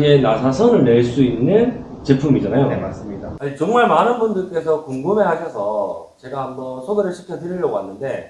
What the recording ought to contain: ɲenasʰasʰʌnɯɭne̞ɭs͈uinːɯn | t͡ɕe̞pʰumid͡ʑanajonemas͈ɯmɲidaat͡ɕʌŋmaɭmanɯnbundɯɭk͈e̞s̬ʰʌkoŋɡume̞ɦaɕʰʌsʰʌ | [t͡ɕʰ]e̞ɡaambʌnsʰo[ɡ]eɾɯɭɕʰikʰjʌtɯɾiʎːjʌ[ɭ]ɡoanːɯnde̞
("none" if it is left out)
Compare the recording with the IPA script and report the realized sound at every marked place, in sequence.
t͡ɕ, ɡ, none

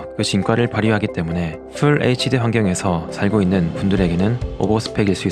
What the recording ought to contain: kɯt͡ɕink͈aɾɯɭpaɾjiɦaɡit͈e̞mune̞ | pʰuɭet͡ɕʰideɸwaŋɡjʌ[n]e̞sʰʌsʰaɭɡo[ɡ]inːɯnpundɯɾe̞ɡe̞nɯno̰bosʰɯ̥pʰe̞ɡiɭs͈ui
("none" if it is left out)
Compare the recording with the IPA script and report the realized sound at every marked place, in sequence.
ŋ, none

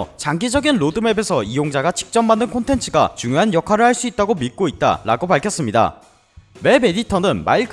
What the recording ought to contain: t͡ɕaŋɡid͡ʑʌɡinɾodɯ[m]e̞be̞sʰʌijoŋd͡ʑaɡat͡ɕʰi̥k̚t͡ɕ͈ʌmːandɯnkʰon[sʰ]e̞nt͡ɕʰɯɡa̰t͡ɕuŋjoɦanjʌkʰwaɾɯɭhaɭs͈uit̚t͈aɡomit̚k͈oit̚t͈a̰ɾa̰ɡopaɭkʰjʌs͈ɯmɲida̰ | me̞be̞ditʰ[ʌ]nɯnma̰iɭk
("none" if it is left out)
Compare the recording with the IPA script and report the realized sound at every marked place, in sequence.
m, tʰ, ʌ

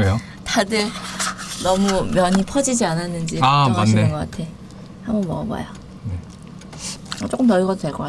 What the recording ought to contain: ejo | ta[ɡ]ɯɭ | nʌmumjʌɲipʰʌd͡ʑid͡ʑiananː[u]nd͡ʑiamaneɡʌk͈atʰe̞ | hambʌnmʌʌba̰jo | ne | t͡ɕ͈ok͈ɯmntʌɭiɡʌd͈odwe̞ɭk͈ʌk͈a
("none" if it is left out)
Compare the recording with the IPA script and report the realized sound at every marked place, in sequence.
d, ɯ

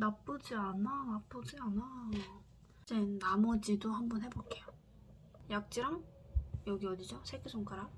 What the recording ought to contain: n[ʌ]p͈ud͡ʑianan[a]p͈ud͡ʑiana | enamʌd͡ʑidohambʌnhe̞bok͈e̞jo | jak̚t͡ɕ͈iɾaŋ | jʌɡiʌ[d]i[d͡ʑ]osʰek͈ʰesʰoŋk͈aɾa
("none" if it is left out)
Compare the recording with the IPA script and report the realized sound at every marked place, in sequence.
a, a, d, d͡ʑ

